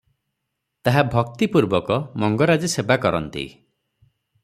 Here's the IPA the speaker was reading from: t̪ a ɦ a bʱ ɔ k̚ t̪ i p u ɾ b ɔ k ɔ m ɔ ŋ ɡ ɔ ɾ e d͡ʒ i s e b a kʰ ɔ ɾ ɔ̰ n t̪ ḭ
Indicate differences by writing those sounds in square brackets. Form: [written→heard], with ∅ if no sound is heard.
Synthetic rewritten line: t̪ a ɦ a bʱ ɔ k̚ t̪ i p u ɾ b ɔ k ɔ m ɔ ŋ ɡ ɔ ɾ [e→a] d͡ʒ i s e b a [kʰ→k] ɔ ɾ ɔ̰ n t̪ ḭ